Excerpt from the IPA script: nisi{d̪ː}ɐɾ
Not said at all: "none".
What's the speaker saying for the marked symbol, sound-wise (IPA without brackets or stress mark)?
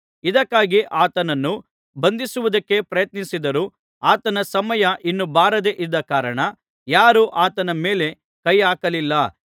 d̪